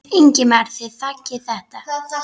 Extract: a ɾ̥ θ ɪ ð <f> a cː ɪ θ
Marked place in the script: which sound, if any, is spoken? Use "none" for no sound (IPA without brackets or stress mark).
θ